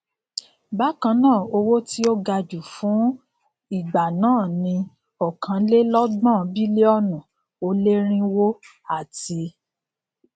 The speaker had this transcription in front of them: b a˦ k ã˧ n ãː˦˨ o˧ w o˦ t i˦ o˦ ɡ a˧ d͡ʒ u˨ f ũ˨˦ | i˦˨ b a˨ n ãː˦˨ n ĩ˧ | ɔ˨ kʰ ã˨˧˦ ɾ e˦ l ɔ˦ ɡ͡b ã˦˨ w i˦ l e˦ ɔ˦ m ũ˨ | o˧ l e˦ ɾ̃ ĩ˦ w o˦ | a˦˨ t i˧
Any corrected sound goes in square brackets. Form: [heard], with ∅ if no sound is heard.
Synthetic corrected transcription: b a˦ k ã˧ n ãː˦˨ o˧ w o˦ t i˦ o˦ ɡ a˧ d͡ʒ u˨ f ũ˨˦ | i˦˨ [ɡ͡b] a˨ n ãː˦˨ n ĩ˧ | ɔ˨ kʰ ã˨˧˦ [l] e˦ l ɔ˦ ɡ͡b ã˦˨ [b] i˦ l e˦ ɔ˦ [n] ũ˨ | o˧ l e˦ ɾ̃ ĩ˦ w o˦ | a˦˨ t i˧